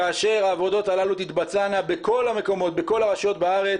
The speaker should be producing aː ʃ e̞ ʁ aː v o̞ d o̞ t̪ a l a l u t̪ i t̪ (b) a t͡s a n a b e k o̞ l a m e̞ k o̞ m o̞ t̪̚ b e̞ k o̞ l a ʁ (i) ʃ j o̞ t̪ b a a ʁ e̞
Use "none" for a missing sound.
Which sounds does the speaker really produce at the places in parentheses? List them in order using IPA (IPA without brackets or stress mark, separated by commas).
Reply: b, a